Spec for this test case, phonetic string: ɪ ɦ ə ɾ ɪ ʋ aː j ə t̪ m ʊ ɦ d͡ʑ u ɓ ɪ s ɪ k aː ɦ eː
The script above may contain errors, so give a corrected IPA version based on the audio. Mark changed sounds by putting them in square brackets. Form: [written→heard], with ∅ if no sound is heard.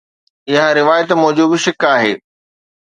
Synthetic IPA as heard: ɪ ɦ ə ɾ ɪ ʋ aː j ə t̪ m ʊ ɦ d͡ʑ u [ɓ→b] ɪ [s→ʃ] ɪ k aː ɦ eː